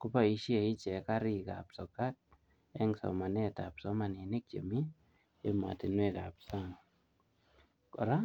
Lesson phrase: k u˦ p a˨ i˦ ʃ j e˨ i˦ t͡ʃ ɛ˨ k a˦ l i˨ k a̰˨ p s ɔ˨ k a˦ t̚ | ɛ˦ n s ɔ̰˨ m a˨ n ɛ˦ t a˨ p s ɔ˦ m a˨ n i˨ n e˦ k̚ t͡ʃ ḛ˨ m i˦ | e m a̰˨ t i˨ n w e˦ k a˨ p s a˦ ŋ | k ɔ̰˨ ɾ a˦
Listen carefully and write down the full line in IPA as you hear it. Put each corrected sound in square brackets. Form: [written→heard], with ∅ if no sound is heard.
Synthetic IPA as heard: k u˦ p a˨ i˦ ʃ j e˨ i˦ t͡ʃ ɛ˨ k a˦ [l→ɾ] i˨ k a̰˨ p s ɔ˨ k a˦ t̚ | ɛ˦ [n→ŋ] s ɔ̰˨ m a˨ n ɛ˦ t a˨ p s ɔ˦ m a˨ n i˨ n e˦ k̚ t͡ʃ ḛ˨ m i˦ | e m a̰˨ t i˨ n w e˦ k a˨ p s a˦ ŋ | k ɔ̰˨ ɾ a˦